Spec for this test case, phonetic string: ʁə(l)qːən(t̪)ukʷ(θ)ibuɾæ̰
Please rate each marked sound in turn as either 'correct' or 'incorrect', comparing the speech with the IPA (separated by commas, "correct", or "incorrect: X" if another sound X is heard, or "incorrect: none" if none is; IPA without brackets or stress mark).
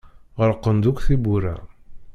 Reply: incorrect: ɾ, incorrect: d̪, correct